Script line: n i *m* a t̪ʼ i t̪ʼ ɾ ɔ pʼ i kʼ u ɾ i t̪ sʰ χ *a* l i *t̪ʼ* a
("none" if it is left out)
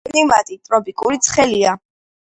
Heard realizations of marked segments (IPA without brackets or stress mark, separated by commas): m, ɛ, none